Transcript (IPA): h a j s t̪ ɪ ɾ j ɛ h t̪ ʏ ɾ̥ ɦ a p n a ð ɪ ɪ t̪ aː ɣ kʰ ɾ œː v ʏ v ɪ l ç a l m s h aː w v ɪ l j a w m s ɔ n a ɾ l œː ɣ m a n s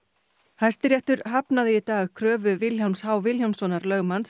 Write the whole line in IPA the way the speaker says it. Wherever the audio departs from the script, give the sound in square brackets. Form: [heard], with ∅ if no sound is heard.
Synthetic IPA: h a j s t̪ ɪ ɾ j ɛ h t̪ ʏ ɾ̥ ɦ a p n a ð ɪ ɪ t̪ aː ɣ kʰ ɾ œː v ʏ v ɪ l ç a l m s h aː w v ɪ l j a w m s ɔ n a ɾ l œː ɣ m a n s

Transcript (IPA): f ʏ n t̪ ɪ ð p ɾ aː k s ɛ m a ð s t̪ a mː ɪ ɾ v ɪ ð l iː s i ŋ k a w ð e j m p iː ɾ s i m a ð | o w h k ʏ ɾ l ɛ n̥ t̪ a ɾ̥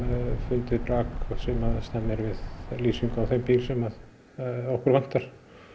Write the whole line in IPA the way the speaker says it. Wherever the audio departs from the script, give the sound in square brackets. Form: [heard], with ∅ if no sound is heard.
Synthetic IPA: f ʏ n t̪ ɪ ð p ɾ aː k s ɛ m a ð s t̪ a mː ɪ ɾ v ɪ ð l iː s i ŋ k a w [θ] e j m p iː [l] s [ɛ] m a ð | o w h k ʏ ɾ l [a] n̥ t̪ a ɾ̥

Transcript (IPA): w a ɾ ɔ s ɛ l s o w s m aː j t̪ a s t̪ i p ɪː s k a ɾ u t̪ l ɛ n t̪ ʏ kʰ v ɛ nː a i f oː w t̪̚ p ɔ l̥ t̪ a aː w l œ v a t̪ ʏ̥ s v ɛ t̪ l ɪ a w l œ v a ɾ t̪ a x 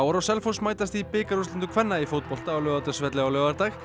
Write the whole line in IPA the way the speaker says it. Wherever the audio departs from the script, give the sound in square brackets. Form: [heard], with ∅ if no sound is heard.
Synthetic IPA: w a ɾ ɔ s ɛ l [f] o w s m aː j t̪ a s t̪ i p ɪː [∅] k a ɾ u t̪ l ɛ n t̪ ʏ kʰ v ɛ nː a i f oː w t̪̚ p ɔ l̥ t̪ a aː w l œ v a t̪ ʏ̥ s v ɛ t̪ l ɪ a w l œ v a ɾ t̪ a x

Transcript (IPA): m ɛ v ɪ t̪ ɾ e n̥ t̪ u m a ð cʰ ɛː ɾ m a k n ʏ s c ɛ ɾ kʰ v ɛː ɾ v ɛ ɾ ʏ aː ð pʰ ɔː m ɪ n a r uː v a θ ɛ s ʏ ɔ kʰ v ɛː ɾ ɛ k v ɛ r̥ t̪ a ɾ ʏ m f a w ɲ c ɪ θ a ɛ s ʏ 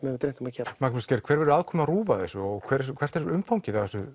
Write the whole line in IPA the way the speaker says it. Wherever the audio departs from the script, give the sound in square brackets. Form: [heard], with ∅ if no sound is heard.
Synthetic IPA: m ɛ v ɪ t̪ ɾ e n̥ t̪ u m a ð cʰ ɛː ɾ m a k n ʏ s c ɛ ɾ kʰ v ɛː ɾ v ɛ ɾ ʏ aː ð [kʰ] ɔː m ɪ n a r uː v a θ ɛ s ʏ ɔ kʰ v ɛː ɾ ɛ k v ɛ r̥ t̪ [ɛ] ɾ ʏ m f a w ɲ c ɪ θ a ɛ s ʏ

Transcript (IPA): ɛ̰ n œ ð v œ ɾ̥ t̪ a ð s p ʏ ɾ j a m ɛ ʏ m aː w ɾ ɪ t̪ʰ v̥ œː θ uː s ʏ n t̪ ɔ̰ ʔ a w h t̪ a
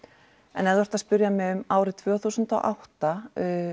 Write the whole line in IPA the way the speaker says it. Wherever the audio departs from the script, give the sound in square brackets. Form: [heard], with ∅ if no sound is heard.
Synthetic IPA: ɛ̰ n [ɛ] ð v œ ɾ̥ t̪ a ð s p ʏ ɾ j a m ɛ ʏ m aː w ɾ ɪ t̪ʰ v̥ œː θ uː s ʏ n t̪ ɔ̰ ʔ a w h t̪ a

